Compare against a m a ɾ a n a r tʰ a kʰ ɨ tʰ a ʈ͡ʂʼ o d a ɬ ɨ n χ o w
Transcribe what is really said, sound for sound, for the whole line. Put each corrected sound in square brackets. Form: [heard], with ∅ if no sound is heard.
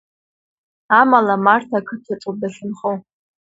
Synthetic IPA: a m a [l] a [m] a r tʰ a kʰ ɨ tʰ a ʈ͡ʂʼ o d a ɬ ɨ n χ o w